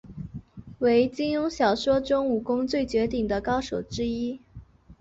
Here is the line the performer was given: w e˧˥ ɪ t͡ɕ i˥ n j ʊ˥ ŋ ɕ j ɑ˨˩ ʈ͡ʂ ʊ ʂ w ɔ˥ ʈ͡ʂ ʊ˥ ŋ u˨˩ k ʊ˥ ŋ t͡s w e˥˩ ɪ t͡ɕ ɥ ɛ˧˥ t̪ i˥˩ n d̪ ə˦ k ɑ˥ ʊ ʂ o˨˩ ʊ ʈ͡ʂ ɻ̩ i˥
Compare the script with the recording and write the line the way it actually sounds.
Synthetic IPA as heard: w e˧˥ ɪ t͡ɕ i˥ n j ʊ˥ ŋ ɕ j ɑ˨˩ ʊ ʂ w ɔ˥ ʈ͡ʂ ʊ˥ ŋ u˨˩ k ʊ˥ ŋ t͡s w e˥˩ ɪ t͡ɕ ɥ ɛ˧˥ t̪ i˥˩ ŋ d̪ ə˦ k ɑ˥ ʊ ʂ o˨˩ ʊ ʈ͡ʂ ɻ̩ i˥